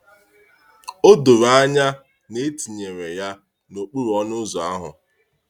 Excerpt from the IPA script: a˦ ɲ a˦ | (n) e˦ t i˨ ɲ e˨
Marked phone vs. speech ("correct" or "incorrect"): correct